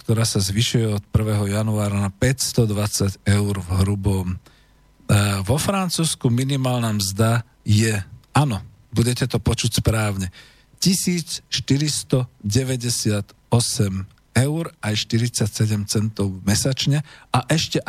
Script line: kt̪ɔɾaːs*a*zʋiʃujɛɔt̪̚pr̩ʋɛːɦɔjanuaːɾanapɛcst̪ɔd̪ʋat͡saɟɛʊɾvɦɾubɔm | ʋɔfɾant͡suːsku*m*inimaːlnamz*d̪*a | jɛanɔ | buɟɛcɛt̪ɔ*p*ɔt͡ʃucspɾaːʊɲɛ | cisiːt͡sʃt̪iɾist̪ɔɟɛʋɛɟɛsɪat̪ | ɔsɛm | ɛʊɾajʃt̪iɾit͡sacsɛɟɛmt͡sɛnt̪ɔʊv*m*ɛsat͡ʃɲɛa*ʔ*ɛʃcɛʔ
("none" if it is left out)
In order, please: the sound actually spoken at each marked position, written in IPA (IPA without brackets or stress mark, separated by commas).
a, m, d̪, p, m, ʔ